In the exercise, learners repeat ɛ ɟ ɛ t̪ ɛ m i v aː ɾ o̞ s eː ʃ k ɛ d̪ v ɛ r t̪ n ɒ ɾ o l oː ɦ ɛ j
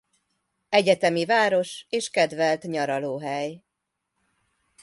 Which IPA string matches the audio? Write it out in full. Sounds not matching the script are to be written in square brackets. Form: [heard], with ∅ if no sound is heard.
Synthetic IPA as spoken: ɛ ɟ ɛ t̪ ɛ m i v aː ɾ o̞ [ʃ] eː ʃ k ɛ d̪ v ɛ [l] t̪ [ɲ] ɒ ɾ [ɒ] l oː ɦ ɛ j